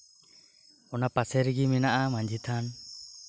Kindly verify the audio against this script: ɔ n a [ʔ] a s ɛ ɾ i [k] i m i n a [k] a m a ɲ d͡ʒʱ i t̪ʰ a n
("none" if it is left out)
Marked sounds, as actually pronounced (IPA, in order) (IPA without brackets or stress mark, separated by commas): p, ɡ, ʔ